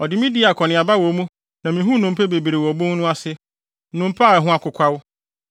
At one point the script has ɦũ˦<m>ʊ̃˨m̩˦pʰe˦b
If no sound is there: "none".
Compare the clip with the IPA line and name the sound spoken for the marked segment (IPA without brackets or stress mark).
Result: n